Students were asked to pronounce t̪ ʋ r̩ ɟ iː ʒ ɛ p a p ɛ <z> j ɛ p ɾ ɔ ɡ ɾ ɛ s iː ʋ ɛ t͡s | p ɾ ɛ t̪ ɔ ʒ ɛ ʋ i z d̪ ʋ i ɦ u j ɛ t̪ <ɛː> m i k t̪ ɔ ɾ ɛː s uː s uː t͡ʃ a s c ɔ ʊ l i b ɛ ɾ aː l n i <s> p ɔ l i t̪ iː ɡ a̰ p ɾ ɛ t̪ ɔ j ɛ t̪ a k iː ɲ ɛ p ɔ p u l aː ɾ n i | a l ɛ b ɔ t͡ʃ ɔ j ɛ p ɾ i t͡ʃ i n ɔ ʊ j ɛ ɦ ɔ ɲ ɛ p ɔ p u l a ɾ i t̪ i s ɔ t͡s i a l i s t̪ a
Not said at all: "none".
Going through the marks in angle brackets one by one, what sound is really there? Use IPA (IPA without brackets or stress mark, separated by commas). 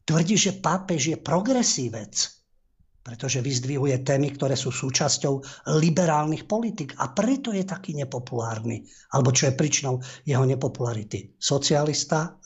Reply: ʒ, ɛː, x